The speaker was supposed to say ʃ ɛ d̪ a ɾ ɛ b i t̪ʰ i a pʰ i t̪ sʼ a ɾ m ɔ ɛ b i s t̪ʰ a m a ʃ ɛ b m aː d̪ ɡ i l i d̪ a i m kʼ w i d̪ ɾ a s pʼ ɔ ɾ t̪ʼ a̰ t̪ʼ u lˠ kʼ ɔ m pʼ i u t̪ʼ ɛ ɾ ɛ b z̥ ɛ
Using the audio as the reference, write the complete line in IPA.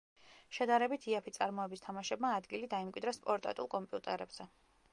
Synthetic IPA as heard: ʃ ɛ d̪ a ɾ ɛ b i t̪ʰ i a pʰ i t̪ sʼ a ɾ m ɔ ɛ b i s t̪ʰ a m a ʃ ɛ b m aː d̪ ɡ i l i d̪ a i m kʼ w i d̪ ɾ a s pʼ ɔ ɾ t̪ʼ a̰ t̪ʼ u lˠ kʼ ɔ m pʼ i u t̪ʼ ɛ ɾ ɛ b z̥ ɛ